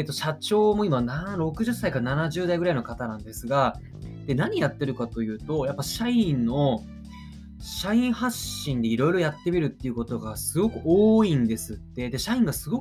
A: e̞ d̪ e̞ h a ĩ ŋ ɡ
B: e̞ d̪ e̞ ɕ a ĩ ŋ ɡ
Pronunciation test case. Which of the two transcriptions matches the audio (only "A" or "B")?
B